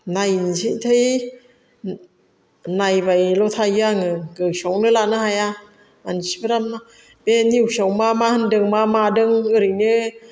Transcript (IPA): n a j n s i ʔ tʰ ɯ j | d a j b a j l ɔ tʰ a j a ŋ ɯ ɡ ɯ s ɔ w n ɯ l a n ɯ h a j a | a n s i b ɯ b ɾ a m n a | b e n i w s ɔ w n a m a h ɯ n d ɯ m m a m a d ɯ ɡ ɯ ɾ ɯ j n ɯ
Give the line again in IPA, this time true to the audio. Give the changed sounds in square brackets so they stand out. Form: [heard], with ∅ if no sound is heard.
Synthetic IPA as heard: n a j n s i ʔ tʰ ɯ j | [n] a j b a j l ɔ tʰ a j a ŋ ɯ ɡ ɯ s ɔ w n ɯ l a n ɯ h a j a | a n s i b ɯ [∅] ɾ a m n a | b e n i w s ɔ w [m] a m a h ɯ n d ɯ [ŋ] m a m a d ɯ [ŋ] ɯ ɾ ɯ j n ɯ